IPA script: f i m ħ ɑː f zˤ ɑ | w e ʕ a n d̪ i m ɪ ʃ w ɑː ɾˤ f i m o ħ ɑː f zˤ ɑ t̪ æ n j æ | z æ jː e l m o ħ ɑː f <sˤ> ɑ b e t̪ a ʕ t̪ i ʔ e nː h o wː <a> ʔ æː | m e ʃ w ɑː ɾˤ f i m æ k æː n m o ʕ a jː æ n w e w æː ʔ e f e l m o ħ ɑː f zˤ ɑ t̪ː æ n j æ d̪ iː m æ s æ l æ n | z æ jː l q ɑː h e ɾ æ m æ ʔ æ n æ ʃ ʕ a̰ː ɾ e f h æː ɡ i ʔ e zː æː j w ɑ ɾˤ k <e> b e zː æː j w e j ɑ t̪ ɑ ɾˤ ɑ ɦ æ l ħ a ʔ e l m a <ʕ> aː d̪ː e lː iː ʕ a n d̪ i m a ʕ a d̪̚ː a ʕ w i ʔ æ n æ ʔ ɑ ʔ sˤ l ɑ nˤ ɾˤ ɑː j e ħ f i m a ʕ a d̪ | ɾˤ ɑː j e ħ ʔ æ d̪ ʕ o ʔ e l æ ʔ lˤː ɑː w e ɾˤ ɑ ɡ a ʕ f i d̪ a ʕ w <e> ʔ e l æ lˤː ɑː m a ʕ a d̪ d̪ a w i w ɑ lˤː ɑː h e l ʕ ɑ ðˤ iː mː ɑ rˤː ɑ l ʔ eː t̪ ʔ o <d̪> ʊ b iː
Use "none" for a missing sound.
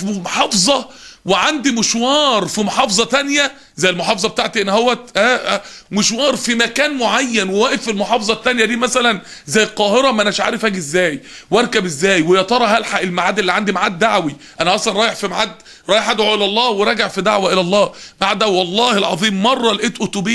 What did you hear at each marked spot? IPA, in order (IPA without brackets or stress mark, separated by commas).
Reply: zˤ, æ, æ, ʕ, æ, t̪